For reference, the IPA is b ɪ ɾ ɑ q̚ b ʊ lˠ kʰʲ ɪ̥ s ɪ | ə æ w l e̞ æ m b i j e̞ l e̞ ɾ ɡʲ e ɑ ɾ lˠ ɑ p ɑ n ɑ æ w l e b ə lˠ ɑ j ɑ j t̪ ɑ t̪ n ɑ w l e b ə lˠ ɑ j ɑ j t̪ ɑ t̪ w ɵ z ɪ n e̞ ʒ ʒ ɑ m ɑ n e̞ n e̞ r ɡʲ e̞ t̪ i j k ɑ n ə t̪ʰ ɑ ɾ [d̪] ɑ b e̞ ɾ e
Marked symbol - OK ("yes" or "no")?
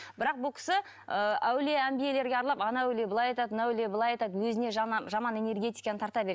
no